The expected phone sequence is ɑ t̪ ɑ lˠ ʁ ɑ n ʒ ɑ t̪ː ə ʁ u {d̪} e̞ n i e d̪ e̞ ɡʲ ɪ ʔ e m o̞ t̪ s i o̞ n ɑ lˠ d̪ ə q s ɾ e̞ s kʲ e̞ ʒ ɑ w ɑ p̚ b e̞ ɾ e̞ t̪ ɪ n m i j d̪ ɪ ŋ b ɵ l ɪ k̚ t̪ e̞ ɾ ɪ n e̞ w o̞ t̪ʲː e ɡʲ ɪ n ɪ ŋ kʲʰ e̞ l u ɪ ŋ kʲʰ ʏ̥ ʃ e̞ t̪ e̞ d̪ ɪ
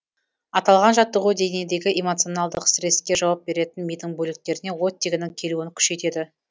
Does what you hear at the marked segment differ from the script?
no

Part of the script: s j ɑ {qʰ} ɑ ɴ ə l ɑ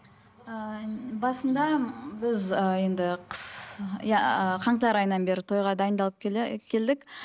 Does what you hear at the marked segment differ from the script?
no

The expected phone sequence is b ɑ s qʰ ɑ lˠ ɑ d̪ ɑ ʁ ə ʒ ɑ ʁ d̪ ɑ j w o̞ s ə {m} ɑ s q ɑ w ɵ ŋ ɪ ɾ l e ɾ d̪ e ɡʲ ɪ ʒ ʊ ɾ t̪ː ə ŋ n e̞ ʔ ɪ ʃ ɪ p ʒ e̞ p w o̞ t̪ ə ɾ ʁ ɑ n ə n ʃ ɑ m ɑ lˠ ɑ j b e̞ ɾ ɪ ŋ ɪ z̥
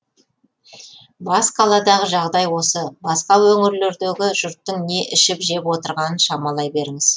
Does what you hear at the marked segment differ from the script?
yes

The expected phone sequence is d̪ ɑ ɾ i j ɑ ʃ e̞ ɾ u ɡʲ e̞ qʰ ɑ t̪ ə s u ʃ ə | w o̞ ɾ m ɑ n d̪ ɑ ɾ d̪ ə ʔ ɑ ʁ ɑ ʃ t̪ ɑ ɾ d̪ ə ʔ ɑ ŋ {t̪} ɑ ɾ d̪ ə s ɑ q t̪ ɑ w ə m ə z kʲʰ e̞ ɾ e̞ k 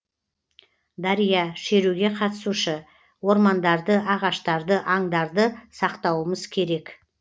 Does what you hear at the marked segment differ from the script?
yes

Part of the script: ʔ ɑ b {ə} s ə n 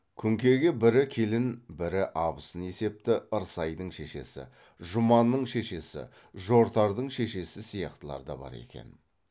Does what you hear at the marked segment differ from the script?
no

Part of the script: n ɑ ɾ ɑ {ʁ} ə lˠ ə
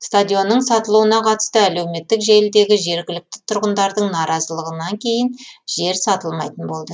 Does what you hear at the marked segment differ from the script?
yes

